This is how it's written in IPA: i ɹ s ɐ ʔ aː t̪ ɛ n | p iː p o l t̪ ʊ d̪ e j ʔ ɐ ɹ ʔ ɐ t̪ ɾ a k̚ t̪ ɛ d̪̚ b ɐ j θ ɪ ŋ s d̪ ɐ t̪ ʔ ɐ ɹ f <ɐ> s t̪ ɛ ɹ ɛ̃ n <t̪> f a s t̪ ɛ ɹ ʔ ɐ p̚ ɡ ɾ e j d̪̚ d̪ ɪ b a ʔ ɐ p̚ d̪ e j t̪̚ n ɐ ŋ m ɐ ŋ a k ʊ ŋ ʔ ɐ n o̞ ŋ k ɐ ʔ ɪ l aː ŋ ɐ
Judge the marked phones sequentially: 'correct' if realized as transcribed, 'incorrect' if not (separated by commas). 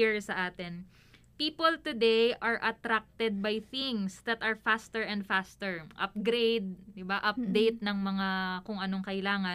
incorrect, incorrect